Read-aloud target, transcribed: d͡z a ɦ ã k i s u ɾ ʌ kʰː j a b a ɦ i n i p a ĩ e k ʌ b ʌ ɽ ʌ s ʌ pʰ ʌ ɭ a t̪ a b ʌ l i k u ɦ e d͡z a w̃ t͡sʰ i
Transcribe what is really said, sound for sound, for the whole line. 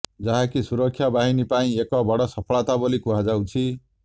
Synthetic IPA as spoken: d͡z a ɦ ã k i s u ɾ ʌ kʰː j a b a ɦ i n i p a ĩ e k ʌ b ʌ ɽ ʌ s ʌ pʰ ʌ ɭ a t̪ a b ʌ l i k u ɦ a d͡z a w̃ t͡sʰ i